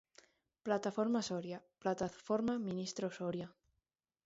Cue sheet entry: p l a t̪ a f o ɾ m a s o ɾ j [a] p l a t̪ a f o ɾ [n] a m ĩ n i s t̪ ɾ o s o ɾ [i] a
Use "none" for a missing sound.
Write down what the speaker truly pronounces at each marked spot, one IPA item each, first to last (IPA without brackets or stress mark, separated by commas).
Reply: a, m, j